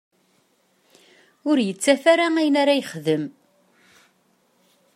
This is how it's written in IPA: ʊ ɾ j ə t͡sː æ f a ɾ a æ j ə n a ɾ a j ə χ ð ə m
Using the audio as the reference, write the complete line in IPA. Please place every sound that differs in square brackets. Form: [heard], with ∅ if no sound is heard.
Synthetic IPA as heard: ʊ ɾ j ə t͡sː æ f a ɾ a æ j ə n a ɾ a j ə χ ð ə m

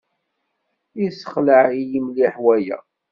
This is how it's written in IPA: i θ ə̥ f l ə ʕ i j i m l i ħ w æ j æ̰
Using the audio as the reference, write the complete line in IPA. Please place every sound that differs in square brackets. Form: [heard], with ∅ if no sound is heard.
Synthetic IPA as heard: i [s] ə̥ [χ] l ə ʕ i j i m l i ħ w æ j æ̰

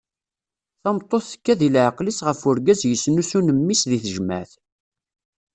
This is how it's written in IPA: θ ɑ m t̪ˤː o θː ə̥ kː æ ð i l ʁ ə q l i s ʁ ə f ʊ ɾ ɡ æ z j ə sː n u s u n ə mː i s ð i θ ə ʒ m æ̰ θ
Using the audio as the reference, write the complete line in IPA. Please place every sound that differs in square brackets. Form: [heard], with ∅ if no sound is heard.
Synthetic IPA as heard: θ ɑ m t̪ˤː o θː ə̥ kː æ ð i l [ʕ] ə q l i s ʁ ə f ʊ ɾ ɡ æ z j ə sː n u s u n ə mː i s ð i θ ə ʒ m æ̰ θ

